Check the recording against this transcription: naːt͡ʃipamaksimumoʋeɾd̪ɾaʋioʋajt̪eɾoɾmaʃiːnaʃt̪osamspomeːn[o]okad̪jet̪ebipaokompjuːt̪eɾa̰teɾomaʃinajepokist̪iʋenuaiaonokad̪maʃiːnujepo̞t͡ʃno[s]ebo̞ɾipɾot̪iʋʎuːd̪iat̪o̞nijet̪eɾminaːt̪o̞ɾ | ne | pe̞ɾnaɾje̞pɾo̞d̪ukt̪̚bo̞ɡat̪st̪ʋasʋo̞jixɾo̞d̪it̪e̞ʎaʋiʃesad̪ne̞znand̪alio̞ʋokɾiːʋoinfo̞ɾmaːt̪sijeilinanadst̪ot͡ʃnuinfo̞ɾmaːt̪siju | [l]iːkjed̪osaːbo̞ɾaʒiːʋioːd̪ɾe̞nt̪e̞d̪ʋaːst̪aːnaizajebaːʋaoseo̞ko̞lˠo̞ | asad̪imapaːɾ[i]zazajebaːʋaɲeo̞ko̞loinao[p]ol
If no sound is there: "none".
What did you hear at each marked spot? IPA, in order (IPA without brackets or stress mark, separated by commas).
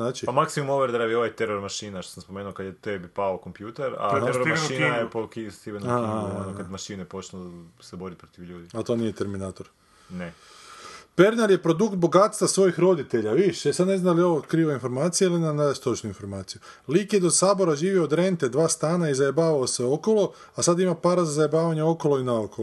u, s, l, a, k